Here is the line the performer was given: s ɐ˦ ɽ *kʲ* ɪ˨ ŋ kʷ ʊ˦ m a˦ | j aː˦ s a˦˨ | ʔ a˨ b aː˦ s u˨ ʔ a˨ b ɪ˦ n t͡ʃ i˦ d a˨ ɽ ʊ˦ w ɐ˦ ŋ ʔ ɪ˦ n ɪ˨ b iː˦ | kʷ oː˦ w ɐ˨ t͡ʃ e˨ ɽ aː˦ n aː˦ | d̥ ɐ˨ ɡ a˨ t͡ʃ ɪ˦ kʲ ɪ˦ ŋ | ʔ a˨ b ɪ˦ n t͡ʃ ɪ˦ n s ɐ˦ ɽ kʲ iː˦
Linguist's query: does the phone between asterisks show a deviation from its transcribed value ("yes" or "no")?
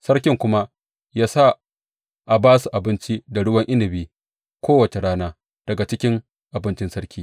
no